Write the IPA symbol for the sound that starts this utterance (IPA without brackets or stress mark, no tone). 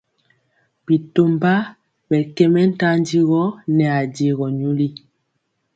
b